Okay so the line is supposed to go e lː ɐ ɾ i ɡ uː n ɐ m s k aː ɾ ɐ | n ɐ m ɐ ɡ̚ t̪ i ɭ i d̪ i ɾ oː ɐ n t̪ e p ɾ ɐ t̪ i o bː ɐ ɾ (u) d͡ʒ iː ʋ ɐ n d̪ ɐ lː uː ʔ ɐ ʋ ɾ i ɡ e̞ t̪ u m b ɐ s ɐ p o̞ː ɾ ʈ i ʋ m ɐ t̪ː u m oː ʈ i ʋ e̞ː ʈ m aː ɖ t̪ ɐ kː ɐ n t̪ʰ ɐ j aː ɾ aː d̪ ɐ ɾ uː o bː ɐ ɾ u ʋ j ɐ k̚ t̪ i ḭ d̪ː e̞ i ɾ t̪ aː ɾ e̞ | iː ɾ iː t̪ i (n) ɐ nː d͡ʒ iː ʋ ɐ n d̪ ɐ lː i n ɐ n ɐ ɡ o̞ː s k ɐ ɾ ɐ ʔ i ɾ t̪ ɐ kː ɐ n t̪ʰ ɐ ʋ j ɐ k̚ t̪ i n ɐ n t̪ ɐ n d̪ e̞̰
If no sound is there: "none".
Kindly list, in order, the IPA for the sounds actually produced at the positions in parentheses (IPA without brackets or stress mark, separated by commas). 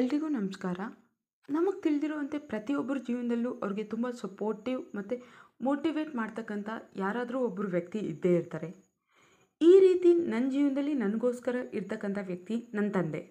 u, n